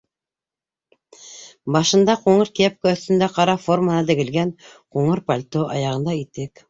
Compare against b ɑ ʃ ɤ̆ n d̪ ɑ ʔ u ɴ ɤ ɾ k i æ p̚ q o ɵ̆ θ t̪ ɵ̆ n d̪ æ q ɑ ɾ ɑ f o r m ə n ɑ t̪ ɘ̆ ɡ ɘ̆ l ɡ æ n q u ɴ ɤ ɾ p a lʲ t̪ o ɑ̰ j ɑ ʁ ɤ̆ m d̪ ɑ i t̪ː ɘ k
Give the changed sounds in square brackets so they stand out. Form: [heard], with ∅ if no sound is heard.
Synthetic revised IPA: b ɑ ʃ ɤ̆ n d̪ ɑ [q] u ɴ ɤ ɾ k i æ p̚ [k] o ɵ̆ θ t̪ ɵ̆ n d̪ æ q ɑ ɾ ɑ f o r m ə n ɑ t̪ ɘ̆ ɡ ɘ̆ l ɡ æ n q u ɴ ɤ ɾ p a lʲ t̪ o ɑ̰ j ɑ ʁ ɤ̆ [n] d̪ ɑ i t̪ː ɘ k